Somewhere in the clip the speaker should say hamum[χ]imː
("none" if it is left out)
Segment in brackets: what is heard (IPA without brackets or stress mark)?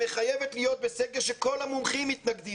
χ